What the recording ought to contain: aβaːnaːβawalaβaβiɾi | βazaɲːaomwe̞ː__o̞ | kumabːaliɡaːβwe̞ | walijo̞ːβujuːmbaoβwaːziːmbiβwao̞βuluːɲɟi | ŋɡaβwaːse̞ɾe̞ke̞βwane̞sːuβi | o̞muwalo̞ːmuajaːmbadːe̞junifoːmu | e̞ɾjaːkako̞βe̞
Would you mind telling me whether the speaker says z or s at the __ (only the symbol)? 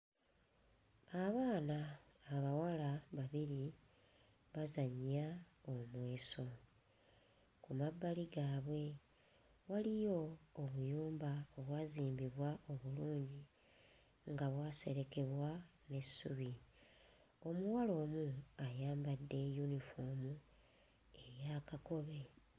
s